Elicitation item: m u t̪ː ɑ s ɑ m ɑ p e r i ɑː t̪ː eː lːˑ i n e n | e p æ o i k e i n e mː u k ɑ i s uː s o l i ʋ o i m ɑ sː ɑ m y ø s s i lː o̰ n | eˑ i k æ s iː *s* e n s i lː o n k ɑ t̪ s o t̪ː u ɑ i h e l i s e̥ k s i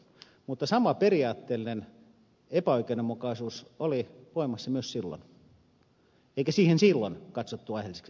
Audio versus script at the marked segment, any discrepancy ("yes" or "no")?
yes